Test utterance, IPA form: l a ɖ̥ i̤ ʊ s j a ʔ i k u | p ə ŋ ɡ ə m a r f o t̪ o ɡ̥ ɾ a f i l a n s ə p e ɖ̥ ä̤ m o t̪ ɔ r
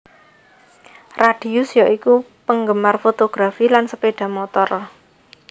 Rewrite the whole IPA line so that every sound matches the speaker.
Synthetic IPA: r a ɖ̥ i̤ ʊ s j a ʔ i k u | p ə ŋ ɡ ə m a r f o t̪ o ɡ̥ ɾ a f i l a n s ə p e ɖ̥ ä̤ m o t̪ ɔ r

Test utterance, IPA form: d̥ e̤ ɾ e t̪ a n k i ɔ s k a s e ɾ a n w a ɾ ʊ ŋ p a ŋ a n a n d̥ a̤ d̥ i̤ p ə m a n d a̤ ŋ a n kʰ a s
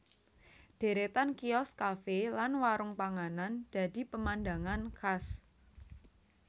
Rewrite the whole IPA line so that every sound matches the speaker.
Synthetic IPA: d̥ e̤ ɾ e t̪ a n k i ɔ s k a f e l a n w a ɾ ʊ ŋ p a ŋ a n a n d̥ a̤ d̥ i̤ p ə m a n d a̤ ŋ a n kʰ a s

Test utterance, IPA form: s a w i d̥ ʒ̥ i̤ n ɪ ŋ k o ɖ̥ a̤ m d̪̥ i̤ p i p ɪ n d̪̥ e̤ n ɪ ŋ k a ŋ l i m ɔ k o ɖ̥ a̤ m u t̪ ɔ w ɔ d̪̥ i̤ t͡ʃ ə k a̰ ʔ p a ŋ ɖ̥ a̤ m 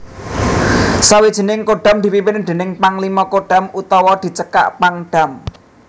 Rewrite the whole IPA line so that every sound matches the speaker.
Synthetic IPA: s a w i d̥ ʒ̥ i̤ n ɪ ŋ k o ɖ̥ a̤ m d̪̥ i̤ p i p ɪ n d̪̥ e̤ n ɪ ŋ p a ŋ l i m ɔ k o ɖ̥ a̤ m u t̪ ɔ w ɔ d̪̥ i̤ t͡ʃ ə k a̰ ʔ p a ŋ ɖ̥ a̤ m

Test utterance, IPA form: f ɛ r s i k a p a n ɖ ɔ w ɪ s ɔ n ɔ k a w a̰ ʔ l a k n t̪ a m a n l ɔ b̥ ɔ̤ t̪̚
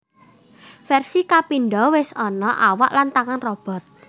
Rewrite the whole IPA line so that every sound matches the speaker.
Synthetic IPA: f ɛ r s i k a p i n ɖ ɔ w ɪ s ɔ n ɔ ʔ a w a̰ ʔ l a n t̪ a ŋ a n r ɔ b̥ ɔ̤ t̪̚

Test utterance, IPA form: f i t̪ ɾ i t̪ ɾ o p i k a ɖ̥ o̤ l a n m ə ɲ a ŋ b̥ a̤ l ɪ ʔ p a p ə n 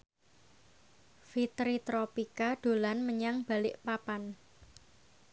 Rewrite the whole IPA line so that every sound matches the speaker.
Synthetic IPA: f i t̪ ɾ i t̪ ɾ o p i k a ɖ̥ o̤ l a n m ə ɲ a ŋ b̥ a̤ l ɪ ʔ p a p a n

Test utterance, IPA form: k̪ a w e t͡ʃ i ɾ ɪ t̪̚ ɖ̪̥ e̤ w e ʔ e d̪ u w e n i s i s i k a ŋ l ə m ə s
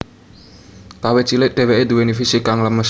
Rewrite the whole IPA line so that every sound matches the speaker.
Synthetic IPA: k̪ a w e t͡ʃ i l ɪ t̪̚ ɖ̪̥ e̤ w e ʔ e d̪ u w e n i f i s i k a ŋ l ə m ə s

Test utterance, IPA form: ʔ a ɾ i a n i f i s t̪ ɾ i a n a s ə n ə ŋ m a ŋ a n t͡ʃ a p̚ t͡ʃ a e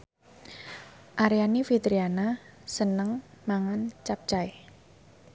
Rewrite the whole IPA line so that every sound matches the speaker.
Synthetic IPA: ʔ a ɾ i a n i f i t̪ ɾ i a n a s ə n ə ŋ m a ŋ a n t͡ʃ a p̚ t͡ʃ a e

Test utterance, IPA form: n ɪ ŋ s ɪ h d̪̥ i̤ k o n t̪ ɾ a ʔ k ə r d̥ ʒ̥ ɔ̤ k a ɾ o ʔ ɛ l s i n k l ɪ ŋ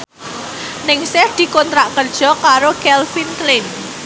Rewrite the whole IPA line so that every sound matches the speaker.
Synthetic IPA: n ɪ ŋ s ɪ h d̪̥ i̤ k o n t̪ ɾ a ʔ k ə r d̥ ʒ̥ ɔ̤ k a ɾ o k ɛ l f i n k l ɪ n

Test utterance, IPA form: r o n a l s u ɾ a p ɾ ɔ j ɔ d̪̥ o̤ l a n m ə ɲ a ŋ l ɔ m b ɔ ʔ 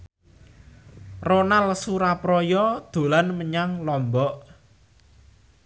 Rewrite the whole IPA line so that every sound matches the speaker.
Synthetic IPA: r o n a l s u ɾ a p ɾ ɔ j ɔ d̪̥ o̤ l a n m ə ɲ a ŋ l ɔ m b ɔ ʔ

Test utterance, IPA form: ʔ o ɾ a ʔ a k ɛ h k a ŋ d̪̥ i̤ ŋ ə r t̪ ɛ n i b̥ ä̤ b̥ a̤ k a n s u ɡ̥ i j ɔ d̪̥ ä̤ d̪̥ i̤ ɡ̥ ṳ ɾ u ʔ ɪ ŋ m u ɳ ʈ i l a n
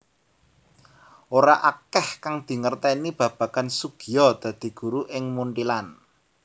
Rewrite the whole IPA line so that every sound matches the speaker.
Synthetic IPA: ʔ o ɾ a ʔ a k ɛ h k a ŋ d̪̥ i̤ ŋ ə r t̪ ɛ n i b̥ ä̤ b̥ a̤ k a n s u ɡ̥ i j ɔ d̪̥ ä̤ d̪̥ i̤ ɡ̥ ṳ ɾ u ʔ ɪ ŋ m u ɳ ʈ i l a n

